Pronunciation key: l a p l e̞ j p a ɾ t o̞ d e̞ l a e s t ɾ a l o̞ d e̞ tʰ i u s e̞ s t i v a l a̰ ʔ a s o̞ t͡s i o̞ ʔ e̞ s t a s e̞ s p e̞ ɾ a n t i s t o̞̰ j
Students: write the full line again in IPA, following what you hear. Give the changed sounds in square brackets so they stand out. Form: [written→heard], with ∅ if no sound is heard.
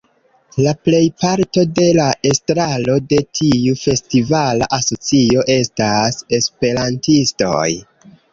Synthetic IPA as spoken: l a p l e̞ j p a ɾ t o̞ d e̞ l a e s t ɾ a l o̞ d e̞ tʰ i u [s→f] e̞ s t i v a l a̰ ʔ a s o̞ t͡s i o̞ ʔ e̞ s t a s e̞ s p e̞ ɾ a n t i s t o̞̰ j